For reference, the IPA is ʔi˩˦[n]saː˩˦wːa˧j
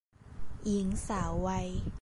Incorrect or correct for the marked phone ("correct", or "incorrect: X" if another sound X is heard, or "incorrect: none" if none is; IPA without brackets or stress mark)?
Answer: incorrect: ŋ